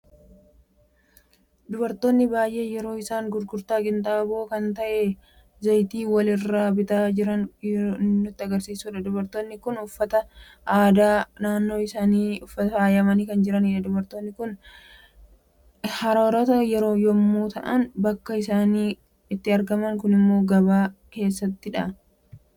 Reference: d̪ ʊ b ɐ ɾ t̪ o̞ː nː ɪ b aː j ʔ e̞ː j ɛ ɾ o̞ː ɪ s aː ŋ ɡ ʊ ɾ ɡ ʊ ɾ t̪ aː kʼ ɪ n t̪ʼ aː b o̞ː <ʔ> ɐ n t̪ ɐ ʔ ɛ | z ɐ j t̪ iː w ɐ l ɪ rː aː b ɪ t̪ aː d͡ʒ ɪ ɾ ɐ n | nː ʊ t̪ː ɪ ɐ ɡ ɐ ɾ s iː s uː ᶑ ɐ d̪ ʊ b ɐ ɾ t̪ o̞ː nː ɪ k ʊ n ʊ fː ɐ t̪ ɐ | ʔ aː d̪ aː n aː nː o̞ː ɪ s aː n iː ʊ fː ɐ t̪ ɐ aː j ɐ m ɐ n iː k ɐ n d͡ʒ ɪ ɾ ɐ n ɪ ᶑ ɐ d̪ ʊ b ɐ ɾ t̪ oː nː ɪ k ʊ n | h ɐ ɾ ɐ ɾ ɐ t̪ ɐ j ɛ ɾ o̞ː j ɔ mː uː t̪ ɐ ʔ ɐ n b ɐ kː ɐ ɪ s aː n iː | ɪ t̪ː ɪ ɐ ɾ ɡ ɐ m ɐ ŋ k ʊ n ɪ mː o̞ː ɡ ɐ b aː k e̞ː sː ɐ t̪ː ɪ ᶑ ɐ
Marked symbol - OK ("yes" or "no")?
no